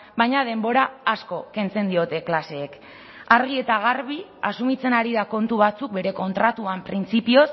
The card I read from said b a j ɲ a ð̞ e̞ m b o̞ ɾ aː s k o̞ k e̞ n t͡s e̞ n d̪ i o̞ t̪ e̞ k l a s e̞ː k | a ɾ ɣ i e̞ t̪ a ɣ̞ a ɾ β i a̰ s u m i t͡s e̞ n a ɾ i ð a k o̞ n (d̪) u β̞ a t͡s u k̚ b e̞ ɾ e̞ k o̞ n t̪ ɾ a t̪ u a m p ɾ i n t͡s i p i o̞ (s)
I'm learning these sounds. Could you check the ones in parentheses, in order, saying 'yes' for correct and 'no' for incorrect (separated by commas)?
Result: no, yes